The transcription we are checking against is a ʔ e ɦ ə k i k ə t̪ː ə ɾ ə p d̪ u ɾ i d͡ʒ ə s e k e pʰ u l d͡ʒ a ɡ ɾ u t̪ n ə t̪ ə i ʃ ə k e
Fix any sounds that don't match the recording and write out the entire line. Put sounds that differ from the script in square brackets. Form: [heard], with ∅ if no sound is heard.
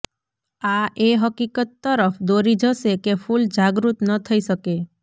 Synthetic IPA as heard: a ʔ e ɦ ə k i k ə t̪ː ə ɾ ə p d̪ [o] ɾ i d͡ʒ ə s e k e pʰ u l d͡ʒ a ɡ ɾ u t̪ n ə [t̪ʰ] ə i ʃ ə k e